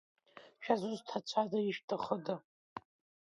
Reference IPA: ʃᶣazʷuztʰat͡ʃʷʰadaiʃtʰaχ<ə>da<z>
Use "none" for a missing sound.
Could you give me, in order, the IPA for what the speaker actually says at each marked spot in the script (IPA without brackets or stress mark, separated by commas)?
ə, none